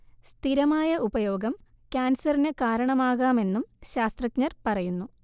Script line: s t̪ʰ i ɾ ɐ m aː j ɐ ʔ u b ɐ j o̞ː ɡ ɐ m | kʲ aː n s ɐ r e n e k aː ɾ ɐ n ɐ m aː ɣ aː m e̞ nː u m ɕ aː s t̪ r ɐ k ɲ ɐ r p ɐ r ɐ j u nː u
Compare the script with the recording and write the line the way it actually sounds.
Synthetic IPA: s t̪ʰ i ɾ ɐ m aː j ɐ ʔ u b ɐ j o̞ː ɡ ɐ m | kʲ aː n s ɐ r i n e k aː ɾ ɐ ɳ ɐ m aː ɣ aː m e̞ nː u m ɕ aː s t̪ r ɐ k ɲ ɐ r p ɐ r ɐ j u nː u